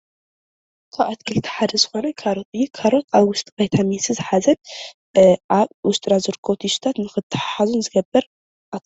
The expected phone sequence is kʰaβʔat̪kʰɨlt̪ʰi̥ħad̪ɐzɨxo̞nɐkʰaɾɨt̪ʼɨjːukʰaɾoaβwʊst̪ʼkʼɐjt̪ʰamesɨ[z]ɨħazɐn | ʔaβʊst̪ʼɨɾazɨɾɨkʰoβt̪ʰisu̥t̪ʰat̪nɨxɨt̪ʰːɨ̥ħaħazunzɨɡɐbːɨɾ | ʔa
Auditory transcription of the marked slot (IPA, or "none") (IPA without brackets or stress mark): z